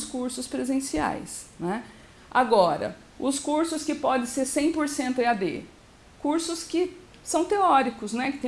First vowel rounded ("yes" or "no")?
yes